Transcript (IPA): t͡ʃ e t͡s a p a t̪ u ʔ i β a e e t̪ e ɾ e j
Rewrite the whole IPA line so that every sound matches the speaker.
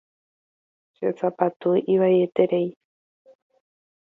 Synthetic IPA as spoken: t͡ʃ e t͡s a p a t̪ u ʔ i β a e e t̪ e ɾ e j